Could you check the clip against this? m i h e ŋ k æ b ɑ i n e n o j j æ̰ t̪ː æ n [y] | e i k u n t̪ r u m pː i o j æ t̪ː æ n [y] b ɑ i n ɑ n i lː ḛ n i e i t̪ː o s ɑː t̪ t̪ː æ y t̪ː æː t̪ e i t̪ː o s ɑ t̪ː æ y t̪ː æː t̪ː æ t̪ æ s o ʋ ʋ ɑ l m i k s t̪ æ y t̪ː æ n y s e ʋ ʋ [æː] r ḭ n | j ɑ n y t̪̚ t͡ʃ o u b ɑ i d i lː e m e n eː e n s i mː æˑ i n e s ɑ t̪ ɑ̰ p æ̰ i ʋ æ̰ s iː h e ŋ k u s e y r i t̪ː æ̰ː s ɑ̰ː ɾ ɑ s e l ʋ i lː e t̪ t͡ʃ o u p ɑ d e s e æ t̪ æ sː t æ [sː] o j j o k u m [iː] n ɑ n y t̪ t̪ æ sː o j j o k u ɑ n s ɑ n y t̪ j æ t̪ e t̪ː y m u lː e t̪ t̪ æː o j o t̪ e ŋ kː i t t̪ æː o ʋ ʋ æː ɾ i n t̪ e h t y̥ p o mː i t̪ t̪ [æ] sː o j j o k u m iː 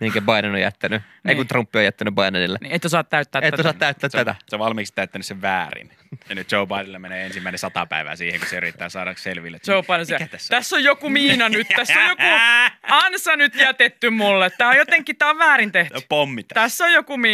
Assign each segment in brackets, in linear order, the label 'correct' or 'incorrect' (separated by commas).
correct, correct, correct, correct, correct, correct